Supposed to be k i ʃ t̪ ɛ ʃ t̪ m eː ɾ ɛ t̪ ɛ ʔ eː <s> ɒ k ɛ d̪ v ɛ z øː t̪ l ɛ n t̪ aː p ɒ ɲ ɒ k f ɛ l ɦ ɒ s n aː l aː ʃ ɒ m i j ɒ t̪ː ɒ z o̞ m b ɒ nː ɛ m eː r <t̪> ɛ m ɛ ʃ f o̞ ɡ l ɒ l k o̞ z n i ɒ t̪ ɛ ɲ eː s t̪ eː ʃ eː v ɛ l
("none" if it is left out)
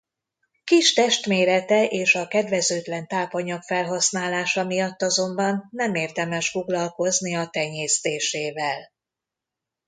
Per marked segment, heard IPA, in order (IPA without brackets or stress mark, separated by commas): ʃ, d̪